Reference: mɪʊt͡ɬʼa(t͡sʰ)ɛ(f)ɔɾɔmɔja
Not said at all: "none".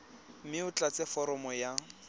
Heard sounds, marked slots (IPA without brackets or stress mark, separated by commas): t͡s, f